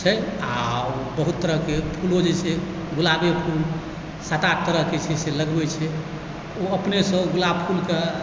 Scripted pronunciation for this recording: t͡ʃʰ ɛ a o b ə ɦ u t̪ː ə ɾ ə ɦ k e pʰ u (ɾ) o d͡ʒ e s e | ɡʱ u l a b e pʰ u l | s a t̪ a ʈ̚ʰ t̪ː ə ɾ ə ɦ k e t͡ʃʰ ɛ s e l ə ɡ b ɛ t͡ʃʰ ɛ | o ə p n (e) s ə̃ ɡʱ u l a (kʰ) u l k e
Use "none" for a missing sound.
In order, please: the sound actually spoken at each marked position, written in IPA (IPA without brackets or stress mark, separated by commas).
l, e, pʰ